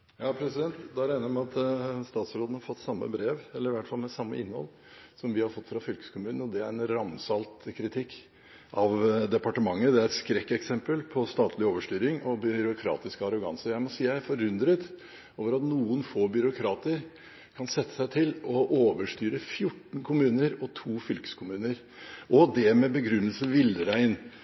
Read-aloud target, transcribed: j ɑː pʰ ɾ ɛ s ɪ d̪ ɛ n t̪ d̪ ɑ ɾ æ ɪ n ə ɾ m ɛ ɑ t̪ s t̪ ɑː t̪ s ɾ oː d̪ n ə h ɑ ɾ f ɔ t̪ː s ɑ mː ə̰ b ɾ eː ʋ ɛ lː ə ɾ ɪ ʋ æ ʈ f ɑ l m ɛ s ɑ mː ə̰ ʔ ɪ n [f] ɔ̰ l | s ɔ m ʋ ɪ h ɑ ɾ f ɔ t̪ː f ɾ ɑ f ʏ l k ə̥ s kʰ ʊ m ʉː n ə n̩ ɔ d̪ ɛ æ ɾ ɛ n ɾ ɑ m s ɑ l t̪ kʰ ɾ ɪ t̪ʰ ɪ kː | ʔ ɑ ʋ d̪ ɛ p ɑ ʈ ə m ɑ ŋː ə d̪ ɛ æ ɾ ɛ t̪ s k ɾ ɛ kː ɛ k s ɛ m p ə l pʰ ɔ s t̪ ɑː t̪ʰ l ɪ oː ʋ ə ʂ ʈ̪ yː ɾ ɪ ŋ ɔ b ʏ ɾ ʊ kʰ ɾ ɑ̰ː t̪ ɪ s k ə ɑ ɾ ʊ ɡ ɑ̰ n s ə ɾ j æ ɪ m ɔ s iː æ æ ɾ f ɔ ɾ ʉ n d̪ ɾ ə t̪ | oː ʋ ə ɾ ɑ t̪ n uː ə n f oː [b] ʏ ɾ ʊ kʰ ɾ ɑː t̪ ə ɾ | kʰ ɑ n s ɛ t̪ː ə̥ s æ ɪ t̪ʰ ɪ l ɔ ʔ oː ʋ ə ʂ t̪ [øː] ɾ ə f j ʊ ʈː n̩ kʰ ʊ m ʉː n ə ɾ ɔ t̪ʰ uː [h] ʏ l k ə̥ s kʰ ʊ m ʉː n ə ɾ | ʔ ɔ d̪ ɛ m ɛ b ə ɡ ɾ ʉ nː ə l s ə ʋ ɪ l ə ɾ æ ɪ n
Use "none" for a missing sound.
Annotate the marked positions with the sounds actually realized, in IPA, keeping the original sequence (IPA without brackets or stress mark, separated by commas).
h, b, yː, f